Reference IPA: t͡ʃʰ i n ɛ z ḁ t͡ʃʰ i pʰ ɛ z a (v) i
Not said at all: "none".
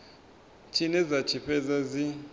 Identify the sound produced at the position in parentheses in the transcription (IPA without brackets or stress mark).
z